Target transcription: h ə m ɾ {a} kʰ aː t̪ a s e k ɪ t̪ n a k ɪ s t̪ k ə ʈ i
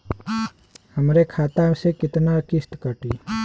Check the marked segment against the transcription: incorrect: e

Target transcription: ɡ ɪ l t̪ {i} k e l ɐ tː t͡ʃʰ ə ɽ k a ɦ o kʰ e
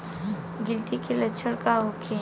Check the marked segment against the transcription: correct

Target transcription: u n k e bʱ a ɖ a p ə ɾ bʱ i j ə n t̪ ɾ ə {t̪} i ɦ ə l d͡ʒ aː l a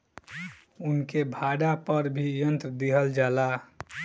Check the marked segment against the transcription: incorrect: d̪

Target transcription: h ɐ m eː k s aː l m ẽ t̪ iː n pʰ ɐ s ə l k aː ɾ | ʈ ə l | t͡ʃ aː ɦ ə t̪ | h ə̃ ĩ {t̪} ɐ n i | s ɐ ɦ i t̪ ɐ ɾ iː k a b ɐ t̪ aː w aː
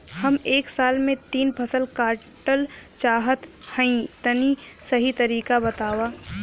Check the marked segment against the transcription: correct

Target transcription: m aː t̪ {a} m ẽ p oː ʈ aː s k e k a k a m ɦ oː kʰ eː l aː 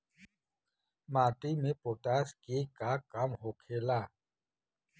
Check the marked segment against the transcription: incorrect: i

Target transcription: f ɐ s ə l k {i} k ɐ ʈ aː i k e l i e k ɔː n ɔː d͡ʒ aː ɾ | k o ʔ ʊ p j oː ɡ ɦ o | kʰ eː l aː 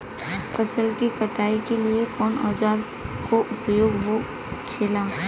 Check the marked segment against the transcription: correct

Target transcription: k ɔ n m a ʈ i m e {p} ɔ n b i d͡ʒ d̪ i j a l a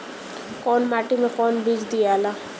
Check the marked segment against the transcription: incorrect: k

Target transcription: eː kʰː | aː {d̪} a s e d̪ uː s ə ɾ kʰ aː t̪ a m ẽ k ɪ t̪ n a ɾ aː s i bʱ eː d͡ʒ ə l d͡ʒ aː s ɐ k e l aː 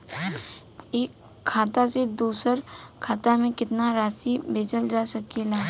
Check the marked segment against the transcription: incorrect: t̪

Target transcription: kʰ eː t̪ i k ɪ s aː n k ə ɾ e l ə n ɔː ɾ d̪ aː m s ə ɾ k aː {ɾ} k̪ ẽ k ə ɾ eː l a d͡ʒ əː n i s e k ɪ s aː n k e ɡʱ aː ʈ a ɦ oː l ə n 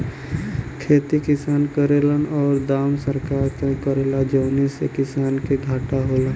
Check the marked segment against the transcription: correct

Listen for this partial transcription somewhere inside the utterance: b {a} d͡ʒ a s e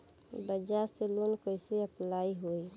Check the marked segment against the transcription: incorrect: ə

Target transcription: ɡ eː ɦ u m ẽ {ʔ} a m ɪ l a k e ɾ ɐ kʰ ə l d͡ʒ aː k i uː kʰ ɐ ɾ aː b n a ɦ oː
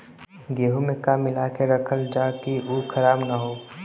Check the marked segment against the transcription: incorrect: k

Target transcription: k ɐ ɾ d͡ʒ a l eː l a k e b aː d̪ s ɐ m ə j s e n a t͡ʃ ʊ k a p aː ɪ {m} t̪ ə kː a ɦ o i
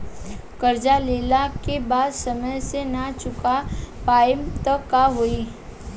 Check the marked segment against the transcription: correct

